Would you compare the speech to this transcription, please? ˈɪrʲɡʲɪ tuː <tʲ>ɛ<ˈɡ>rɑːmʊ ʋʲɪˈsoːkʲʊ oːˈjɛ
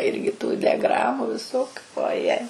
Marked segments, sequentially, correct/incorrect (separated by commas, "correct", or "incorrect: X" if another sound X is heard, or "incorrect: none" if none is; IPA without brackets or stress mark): incorrect: dʲ, correct